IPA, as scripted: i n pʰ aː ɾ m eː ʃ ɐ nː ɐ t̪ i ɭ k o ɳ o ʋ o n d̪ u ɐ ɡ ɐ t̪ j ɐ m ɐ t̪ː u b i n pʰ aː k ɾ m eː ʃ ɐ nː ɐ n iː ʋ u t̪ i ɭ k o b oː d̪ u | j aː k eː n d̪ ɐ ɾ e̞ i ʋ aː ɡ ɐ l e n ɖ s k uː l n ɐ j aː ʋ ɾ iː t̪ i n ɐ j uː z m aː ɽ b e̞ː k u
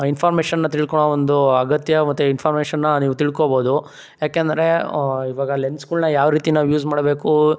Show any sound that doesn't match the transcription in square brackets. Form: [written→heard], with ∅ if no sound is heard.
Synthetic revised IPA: i n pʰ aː ɾ m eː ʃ ɐ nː ɐ t̪ i ɭ k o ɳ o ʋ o n d̪ u ɐ ɡ ɐ t̪ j ɐ m ɐ t̪ː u [b→∅] i n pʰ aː [k→∅] ɾ m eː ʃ ɐ nː ɐ n iː ʋ u t̪ i ɭ k o b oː d̪ u | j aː k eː n d̪ ɐ ɾ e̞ i ʋ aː ɡ ɐ l e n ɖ s k uː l n ɐ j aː ʋ ɾ iː t̪ i n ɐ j uː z m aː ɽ b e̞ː k u